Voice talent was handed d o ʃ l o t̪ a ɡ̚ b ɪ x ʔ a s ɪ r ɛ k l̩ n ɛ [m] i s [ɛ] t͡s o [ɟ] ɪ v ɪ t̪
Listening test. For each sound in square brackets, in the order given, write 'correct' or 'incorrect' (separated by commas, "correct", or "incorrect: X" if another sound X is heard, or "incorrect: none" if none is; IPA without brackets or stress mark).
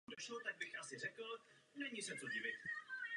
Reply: incorrect: ɲ, correct, correct